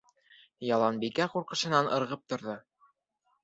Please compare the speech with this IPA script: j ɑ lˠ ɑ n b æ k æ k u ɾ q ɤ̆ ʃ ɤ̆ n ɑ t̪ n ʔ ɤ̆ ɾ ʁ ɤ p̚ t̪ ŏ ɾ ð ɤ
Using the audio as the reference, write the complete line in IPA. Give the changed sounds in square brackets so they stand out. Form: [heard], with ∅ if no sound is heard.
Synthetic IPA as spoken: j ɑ lˠ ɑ n b [i] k æ [q] u ɾ q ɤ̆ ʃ ɤ̆ n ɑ [∅] n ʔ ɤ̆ ɾ ʁ ɤ p̚ t̪ ŏ ɾ ð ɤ